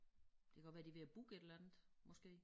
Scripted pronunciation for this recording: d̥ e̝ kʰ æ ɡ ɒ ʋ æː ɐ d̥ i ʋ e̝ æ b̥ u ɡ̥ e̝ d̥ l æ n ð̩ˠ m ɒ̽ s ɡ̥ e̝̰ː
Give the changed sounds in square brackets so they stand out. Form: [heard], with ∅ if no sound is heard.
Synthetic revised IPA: d̥ e̝ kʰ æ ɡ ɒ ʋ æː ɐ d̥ i ʋ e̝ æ b̥ u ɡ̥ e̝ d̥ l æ n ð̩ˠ m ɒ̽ s ɡ̥ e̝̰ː